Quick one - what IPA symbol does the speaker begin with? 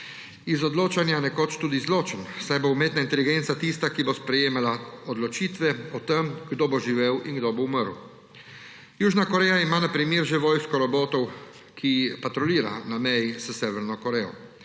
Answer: i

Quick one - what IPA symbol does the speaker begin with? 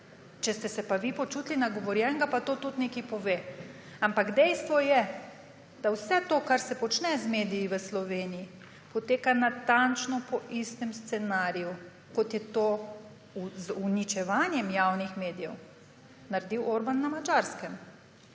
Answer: t͡ʃ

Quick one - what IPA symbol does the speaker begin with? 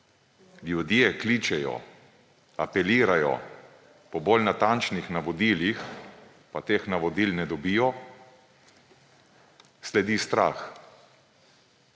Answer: l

